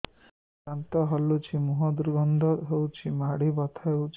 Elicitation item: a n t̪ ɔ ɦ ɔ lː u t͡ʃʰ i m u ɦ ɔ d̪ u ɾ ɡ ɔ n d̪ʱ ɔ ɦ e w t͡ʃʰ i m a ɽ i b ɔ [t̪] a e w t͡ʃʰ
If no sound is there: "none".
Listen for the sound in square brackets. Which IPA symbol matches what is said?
t̪ʰ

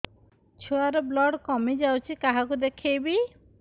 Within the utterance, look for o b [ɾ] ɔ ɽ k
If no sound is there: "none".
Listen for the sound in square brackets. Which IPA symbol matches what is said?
l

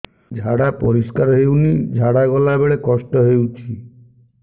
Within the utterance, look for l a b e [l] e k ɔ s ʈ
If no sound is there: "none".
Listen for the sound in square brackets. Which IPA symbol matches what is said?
ɭ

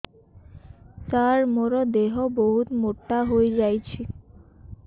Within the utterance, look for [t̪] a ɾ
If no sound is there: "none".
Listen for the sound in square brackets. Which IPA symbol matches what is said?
t̪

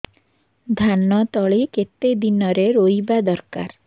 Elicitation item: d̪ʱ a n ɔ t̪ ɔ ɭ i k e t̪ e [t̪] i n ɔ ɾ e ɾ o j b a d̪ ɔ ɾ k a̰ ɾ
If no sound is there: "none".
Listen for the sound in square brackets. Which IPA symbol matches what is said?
d̪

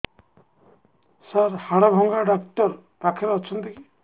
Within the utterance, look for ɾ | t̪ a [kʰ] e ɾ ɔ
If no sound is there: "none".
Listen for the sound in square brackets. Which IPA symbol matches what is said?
kʰ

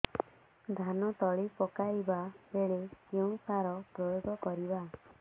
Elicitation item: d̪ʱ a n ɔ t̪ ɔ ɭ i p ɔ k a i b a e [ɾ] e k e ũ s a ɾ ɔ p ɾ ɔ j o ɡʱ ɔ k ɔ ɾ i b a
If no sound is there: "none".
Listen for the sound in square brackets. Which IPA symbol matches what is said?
ɭ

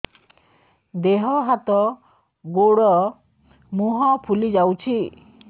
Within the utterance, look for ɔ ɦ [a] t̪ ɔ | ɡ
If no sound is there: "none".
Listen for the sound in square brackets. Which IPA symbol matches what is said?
a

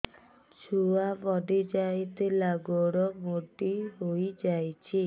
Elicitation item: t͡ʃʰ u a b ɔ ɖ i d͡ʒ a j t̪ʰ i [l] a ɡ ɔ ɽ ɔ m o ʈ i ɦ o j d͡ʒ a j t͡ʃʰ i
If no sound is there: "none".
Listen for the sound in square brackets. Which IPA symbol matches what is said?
l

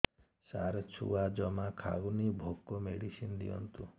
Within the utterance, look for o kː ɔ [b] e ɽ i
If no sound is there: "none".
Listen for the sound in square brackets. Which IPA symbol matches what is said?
m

